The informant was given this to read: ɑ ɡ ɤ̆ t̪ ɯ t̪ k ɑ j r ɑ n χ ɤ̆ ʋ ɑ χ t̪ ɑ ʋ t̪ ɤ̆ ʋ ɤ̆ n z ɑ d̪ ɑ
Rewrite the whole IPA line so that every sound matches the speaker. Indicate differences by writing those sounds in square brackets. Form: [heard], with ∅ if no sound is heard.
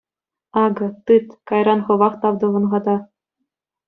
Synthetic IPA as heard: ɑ ɡ ɤ̆ t̪ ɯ t̪ k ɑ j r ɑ n χ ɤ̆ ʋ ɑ χ t̪ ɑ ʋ [d̪] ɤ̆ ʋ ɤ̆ n [ʁ] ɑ d̪ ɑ

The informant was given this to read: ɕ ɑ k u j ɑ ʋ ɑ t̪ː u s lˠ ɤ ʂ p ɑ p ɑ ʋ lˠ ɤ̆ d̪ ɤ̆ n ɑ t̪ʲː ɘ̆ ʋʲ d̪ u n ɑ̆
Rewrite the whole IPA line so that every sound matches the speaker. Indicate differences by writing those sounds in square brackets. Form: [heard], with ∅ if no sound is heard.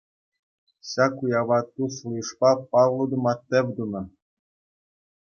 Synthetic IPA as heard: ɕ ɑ k u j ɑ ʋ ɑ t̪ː u s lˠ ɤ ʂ p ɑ p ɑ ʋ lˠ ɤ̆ d̪ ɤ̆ [m] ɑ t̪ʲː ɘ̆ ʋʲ d̪ u n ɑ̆

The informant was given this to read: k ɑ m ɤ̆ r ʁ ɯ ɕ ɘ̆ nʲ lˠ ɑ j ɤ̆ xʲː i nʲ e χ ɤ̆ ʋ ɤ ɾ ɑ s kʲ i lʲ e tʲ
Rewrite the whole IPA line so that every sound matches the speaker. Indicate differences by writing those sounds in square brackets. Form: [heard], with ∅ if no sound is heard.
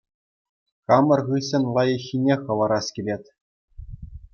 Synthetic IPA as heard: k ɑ m ɤ̆ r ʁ ɯ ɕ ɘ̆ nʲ lˠ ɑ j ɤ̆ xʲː i nʲ e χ ɤ̆ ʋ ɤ ɾ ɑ s kʲ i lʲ e tʲ

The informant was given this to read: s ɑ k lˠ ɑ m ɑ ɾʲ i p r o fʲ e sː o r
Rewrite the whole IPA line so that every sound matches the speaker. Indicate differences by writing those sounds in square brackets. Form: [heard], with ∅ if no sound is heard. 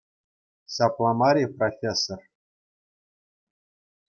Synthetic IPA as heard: s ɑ [p] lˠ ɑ m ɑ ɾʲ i p r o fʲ e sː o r

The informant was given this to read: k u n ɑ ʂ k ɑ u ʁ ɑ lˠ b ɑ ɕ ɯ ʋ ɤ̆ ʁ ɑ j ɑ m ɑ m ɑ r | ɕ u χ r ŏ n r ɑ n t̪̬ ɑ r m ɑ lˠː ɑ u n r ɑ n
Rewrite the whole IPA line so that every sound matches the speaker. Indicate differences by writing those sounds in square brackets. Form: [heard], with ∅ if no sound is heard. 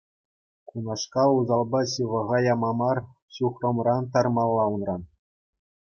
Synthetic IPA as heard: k u n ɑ ʂ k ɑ u [z] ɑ lˠ b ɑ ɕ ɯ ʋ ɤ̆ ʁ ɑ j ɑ m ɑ m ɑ r | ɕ u χ r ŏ [m] r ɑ n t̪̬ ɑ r m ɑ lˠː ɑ u n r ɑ n

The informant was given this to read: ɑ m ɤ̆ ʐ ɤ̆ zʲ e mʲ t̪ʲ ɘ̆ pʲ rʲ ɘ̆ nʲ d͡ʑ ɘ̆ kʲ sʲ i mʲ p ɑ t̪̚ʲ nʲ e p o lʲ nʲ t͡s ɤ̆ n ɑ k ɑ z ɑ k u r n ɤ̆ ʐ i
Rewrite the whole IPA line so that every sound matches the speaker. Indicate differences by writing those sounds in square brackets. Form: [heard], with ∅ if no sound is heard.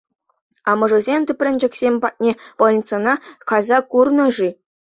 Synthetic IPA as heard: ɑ m ɤ̆ ʐ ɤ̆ zʲ e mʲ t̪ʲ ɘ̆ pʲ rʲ ɘ̆ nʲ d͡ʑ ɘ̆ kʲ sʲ [e] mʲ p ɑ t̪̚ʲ nʲ e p o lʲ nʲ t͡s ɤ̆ n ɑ k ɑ z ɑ k u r n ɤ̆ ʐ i

